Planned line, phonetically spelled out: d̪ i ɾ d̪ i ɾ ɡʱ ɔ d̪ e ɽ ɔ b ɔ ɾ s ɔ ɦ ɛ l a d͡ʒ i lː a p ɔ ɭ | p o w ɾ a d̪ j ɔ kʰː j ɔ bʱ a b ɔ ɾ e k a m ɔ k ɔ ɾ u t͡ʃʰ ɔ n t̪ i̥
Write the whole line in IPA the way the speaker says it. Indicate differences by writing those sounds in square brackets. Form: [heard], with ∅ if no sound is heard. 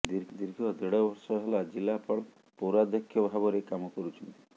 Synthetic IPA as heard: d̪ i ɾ d̪ i ɾ ɡʱ ɔ d̪ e ɽ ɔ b ɔ ɾ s ɔ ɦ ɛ l a d͡ʒ i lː a p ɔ ɭ | p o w ɾ a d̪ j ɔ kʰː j ɔ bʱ a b ɔ ɾ e k a m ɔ k ɔ ɾ u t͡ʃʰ ɔ n t̪ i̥